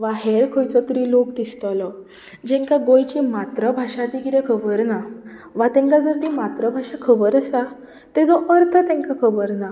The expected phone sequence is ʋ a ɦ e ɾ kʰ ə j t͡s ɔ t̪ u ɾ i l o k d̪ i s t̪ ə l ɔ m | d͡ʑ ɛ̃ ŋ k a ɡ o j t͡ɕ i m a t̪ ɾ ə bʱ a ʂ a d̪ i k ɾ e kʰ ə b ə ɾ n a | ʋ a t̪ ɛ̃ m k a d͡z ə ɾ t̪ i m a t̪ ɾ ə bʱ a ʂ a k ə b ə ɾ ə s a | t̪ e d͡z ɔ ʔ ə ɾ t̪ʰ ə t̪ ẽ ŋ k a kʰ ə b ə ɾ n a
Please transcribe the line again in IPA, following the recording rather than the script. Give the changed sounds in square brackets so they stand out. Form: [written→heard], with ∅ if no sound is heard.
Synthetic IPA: ʋ a ɦ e ɾ kʰ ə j t͡s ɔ t̪ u ɾ i l o k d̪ i s t̪ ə l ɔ [m→∅] | d͡ʑ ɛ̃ ŋ k a ɡ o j t͡ɕ i m a t̪ ɾ ə bʱ a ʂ a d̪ i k ɾ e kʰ ə b ə ɾ n a | ʋ a t̪ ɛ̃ [m→ŋ] k a d͡z ə ɾ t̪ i m a t̪ ɾ ə bʱ a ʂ a [k→kʰ] ə b ə ɾ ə s a | t̪ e d͡z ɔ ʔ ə ɾ t̪ʰ ə t̪ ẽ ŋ k a kʰ ə b ə ɾ n a